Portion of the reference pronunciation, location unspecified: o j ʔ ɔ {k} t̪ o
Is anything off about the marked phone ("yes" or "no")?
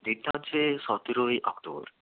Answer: no